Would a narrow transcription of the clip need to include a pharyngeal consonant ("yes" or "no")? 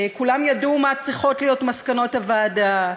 no